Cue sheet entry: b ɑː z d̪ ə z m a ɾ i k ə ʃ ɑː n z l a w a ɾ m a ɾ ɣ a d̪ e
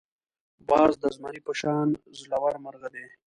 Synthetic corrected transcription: b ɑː z d̪ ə z m a ɾ i p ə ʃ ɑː n z l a w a ɾ m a ɾ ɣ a d̪ e